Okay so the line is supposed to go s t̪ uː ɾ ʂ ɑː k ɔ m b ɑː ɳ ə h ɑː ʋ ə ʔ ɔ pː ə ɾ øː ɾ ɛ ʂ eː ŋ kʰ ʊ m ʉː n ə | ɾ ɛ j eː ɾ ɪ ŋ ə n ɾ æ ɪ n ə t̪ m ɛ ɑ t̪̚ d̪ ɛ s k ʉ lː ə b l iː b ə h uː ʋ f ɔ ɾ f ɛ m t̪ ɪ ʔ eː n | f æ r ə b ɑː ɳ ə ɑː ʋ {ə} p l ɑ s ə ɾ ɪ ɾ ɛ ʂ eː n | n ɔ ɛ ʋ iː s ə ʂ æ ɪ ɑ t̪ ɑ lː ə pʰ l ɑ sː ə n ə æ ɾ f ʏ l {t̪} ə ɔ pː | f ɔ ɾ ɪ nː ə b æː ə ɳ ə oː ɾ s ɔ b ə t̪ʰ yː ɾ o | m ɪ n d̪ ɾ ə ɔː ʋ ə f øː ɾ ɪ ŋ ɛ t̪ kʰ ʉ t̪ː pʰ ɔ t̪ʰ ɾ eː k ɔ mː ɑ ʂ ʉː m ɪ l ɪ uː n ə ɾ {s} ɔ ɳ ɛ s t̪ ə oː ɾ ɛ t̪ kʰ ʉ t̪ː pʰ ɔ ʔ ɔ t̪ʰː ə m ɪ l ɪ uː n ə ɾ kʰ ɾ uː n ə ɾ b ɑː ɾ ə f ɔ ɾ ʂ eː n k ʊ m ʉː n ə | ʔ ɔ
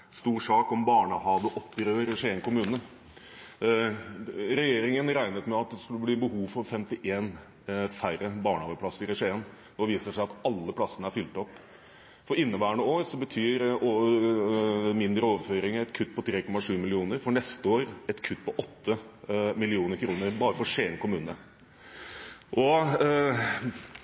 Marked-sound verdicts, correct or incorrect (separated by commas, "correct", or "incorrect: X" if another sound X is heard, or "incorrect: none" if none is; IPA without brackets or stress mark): correct, correct, incorrect: f